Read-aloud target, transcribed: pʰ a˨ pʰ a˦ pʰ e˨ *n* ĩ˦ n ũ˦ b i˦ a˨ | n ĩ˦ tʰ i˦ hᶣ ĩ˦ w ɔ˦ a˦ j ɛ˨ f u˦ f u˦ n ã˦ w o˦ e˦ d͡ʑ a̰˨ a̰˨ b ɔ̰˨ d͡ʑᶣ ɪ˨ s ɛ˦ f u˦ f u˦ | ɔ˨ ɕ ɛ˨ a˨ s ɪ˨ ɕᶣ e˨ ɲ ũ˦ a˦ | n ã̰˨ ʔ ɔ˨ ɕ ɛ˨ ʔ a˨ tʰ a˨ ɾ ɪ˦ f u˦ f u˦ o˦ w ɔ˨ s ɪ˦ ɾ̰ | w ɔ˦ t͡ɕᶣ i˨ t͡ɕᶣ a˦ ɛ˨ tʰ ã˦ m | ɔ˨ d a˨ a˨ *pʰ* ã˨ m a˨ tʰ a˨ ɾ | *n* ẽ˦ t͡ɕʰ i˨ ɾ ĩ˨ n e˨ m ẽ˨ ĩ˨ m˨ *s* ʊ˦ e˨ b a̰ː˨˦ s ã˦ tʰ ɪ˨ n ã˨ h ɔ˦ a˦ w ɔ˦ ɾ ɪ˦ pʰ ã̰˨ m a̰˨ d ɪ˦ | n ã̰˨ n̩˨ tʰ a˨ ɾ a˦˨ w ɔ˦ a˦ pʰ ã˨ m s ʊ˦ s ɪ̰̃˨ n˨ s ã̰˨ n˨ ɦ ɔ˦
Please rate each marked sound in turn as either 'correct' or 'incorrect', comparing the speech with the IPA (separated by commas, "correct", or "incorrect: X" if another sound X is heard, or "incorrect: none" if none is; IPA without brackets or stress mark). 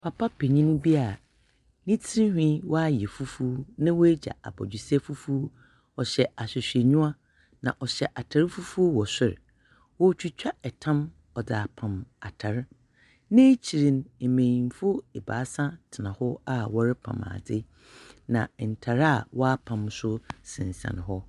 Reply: incorrect: ɲ, correct, correct, incorrect: f